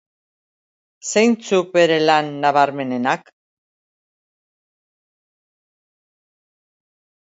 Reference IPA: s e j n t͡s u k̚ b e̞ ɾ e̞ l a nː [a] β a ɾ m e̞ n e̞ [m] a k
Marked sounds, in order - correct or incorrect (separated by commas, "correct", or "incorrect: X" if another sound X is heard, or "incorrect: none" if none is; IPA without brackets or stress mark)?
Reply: correct, incorrect: n